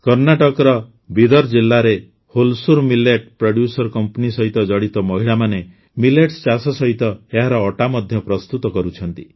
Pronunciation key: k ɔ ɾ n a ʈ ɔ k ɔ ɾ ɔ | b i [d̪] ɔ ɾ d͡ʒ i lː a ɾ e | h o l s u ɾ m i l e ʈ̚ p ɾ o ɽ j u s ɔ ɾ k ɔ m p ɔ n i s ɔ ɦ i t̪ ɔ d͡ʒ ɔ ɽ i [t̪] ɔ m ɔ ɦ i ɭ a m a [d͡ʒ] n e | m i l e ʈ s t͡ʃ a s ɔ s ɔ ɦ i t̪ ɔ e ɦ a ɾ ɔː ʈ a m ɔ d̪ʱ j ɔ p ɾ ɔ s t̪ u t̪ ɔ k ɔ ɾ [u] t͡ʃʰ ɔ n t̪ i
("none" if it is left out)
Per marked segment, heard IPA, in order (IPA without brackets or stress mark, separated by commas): d̪, t̪, none, u